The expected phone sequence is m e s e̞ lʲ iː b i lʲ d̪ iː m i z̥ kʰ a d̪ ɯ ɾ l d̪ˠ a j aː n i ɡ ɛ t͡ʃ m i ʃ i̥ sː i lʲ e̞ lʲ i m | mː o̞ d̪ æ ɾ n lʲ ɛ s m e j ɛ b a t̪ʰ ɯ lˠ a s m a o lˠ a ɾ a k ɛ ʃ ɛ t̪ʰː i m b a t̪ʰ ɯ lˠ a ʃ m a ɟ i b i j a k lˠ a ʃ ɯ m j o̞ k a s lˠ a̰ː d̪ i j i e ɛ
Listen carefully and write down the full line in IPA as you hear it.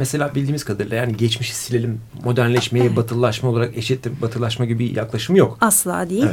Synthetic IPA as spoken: m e s e̞ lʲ aː b i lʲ d̪ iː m i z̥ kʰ a d̪ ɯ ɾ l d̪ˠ a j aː n i ɟ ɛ t͡ʃ m i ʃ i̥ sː i lʲ e̞ lʲ i m | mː o̞ d̪ æ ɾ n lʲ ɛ ʃ m e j ɛ b a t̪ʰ ɯ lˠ a ʃ m a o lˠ a ɾ a k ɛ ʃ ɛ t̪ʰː i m b a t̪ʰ ɯ lˠ a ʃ m a ɟ i b i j a k lˠ a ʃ ɯ m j o̞ k a s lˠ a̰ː d̪ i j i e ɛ